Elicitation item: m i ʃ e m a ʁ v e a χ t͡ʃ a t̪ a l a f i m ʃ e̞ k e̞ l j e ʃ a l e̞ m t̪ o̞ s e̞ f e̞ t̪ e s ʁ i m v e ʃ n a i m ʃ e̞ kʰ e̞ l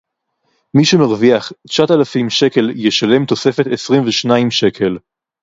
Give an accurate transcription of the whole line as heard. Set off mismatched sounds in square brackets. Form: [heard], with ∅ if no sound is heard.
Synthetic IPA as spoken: m i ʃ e m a ʁ v [i] a χ t͡ʃ a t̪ a l a f i m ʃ e̞ k e̞ l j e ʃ a l e̞ m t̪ o̞ s e̞ f e̞ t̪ e s ʁ i m v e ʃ n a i m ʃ e̞ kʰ e̞ l